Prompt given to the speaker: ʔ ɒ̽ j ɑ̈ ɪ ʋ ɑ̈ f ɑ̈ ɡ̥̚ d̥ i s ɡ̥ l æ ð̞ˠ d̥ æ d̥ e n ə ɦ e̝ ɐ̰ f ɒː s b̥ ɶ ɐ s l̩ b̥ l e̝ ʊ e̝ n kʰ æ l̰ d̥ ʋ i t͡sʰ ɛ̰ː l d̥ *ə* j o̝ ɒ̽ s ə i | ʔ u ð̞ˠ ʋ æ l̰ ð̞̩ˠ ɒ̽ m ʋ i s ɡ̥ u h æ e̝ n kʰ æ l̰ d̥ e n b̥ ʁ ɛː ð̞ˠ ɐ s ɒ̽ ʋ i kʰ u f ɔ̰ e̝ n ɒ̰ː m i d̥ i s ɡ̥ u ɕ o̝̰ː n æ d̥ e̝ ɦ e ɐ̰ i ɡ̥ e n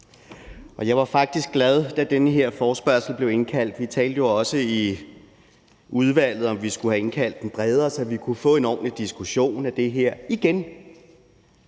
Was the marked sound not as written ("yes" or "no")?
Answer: no